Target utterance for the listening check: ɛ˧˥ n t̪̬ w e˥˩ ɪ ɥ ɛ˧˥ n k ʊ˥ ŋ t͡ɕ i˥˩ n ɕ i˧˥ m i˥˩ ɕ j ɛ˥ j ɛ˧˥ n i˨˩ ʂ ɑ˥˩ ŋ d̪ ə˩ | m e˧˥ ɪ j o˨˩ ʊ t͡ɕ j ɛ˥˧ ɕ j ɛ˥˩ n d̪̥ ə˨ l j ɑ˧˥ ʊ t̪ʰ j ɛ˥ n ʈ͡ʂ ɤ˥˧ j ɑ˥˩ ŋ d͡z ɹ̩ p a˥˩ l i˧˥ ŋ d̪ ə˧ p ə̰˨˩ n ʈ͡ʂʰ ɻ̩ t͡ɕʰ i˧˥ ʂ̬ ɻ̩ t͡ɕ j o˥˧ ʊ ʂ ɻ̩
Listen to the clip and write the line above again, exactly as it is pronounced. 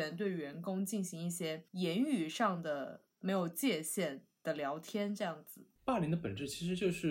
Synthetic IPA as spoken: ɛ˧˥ n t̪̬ w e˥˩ ɪ ɥ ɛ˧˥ n k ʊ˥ ŋ t͡ɕ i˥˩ n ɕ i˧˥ ŋ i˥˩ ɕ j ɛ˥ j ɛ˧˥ n y˨˩ ʂ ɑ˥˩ ŋ d̪ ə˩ | m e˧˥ ɪ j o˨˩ ʊ t͡ɕ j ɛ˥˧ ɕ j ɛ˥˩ n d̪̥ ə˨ l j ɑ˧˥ ʊ t̪ʰ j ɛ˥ n ʈ͡ʂ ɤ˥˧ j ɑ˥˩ ŋ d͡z ɹ̩ p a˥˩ l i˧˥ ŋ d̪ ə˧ p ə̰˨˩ n ʈ͡ʂ ɻ̩ t͡ɕʰ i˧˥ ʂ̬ ɻ̩ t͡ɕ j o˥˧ ʊ ʂ ɻ̩